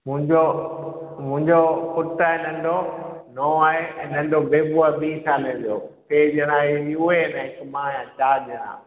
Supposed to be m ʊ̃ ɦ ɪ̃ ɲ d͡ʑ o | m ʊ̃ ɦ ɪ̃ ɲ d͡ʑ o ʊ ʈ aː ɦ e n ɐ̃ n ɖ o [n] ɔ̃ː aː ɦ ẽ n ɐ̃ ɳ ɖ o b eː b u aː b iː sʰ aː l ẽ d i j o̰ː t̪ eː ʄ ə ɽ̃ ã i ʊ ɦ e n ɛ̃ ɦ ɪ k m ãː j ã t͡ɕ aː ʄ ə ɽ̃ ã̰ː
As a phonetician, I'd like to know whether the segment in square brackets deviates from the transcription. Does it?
no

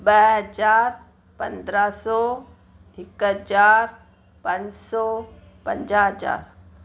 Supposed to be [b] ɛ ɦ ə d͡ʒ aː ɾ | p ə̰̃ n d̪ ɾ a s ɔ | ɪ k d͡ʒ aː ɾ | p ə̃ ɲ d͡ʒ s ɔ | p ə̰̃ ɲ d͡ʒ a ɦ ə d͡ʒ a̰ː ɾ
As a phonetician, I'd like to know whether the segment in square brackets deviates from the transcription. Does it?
no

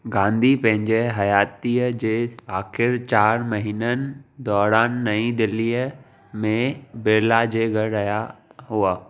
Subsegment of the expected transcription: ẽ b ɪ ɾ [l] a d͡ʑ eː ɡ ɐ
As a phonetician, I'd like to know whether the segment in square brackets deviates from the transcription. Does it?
no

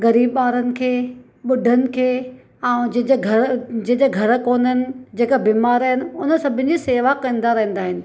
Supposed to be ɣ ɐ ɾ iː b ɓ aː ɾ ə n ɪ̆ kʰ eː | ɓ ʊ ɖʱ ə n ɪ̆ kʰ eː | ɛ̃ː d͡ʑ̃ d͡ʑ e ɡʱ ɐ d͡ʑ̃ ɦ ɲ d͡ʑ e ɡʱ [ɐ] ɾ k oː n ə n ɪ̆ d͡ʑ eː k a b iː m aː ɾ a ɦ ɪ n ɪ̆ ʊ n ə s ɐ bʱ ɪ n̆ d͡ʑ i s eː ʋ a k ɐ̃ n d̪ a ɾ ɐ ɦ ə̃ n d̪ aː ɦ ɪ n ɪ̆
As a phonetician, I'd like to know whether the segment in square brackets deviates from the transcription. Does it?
no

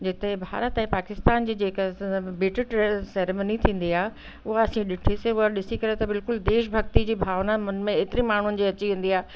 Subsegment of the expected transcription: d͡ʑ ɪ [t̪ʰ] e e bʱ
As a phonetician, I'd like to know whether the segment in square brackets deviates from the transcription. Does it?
yes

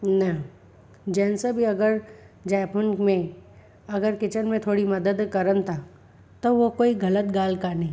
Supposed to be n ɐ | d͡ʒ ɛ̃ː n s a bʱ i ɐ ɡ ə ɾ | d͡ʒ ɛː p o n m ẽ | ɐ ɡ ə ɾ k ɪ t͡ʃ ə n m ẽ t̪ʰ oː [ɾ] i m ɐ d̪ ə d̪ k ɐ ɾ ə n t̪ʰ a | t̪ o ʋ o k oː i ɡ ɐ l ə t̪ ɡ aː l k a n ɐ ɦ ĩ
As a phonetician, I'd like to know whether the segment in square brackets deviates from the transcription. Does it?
yes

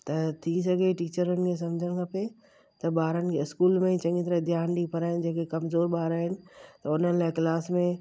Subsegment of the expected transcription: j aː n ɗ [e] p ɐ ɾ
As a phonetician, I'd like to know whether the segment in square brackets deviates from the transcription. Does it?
yes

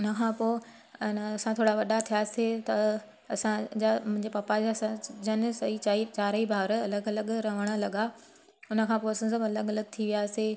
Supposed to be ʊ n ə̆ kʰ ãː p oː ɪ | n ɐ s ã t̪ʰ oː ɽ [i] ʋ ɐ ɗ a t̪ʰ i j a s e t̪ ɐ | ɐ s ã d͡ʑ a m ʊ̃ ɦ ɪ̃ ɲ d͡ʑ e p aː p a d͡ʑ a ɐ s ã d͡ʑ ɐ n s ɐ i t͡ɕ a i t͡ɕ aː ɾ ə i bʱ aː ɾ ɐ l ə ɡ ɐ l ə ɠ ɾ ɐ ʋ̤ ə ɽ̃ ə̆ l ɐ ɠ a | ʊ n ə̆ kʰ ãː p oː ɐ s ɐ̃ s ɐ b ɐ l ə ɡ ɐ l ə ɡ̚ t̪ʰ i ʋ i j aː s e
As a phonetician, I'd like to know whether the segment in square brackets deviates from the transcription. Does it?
yes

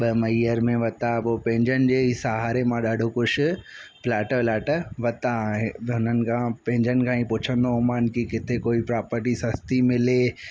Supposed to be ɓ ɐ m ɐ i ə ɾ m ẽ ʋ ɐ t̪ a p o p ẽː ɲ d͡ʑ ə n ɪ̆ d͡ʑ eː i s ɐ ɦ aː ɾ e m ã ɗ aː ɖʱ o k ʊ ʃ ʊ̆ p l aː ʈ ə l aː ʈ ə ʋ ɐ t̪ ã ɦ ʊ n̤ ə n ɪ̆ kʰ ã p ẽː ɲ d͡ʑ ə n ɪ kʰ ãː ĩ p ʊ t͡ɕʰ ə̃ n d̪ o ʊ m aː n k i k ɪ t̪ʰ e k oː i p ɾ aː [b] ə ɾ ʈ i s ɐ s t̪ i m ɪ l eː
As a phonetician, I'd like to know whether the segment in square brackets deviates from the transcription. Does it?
yes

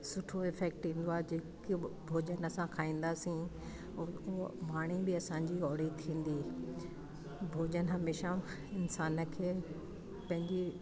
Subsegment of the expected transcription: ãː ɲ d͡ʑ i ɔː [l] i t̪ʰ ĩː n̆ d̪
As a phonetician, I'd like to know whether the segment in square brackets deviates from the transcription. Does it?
yes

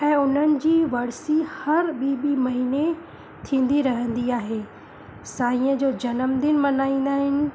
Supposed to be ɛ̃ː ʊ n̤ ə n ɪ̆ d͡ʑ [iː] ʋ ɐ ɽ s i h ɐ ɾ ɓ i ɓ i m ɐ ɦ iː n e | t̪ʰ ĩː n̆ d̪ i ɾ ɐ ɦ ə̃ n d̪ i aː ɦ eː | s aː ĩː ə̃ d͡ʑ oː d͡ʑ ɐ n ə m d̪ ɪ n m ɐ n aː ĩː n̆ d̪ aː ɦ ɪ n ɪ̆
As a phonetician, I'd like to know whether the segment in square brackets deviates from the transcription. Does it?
no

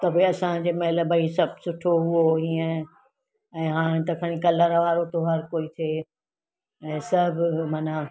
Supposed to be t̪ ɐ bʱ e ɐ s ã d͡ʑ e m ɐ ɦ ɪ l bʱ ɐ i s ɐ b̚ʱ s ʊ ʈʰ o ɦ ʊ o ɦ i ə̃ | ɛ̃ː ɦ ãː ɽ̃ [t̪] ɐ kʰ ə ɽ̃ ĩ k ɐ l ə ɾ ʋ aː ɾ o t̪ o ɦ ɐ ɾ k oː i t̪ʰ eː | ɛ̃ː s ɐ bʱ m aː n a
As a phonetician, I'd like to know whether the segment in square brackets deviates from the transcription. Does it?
no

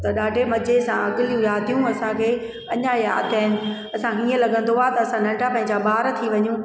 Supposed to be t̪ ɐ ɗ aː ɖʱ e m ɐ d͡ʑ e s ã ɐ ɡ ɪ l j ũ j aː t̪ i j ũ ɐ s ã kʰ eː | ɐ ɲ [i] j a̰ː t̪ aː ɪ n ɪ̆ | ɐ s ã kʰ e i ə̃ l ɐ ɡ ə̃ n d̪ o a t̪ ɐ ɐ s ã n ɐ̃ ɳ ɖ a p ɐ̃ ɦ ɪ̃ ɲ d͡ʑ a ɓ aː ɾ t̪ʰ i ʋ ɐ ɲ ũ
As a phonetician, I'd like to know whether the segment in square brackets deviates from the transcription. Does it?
yes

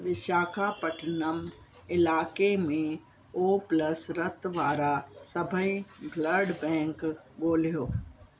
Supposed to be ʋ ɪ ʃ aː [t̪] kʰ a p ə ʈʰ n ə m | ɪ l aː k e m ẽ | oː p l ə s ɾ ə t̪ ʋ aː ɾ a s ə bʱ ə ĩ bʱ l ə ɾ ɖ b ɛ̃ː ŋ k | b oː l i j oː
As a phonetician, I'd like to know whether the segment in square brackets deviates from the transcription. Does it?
yes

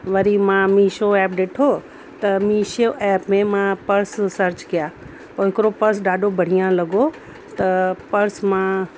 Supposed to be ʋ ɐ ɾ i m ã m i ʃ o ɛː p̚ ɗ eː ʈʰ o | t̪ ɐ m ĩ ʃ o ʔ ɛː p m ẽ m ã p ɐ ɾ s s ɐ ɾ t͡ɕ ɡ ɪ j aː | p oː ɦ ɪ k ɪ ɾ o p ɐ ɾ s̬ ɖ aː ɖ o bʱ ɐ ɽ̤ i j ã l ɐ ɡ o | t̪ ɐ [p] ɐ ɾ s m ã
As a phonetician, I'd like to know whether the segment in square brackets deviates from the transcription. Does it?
no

